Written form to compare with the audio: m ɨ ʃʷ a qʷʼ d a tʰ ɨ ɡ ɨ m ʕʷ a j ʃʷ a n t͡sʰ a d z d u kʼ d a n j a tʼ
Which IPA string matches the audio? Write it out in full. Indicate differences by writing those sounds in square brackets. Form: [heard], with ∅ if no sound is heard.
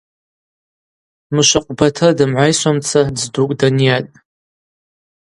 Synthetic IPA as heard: m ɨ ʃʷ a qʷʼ [b] a tʰ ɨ [d] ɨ m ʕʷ a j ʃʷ a [m] t͡sʰ a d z d u kʼ d a n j a tʼ